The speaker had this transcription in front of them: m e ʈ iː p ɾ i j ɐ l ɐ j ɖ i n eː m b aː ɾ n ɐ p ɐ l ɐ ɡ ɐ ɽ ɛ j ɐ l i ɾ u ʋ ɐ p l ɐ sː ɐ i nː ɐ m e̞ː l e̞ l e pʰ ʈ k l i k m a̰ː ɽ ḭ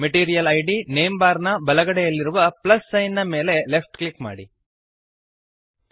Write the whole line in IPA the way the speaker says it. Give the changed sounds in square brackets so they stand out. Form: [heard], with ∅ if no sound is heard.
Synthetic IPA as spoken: m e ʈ iː [∅] ɾ i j ɐ l ɐ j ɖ i n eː m b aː ɾ n ɐ [b] ɐ l ɐ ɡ ɐ ɽ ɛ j ɐ [lː] i ɾ u ʋ ɐ p l ɐ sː ɐ [j] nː ɐ m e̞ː l e̞ l e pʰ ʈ k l i k m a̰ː ɽ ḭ